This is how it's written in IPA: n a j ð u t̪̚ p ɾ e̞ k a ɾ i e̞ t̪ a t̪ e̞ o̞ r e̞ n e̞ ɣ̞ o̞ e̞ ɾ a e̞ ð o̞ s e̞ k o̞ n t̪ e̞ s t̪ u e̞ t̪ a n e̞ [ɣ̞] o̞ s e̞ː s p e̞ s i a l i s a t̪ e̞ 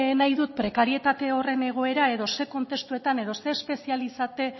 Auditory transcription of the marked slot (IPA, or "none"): ð̞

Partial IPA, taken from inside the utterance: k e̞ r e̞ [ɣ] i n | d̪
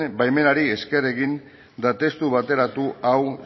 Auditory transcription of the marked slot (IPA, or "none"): ɣ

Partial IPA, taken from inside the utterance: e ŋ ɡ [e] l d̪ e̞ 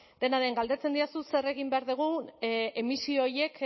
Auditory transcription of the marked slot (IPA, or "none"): a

